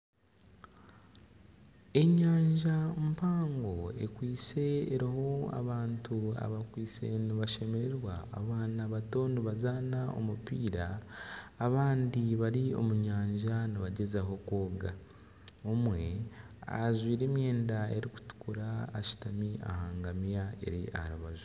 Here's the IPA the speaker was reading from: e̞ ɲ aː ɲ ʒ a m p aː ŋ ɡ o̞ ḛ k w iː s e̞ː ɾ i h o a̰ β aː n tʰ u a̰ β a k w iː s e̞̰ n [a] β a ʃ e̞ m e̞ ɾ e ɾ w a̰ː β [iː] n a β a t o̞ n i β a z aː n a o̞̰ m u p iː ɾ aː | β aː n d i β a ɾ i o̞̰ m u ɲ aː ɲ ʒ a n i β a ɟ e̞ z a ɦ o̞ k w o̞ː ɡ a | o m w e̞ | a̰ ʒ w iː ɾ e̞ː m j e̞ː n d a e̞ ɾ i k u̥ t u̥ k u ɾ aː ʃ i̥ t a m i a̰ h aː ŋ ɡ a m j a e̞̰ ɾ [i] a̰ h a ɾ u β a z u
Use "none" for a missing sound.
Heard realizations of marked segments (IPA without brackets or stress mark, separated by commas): i, aː, i